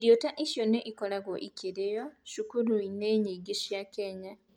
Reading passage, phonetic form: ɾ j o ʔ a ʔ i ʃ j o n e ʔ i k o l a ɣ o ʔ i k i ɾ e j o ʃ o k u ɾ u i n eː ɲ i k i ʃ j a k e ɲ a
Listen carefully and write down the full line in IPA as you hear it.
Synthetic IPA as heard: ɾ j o t a ʔ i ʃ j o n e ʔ i k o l a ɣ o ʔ i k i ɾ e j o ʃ u k u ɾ u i n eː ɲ i ɡ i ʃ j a k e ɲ a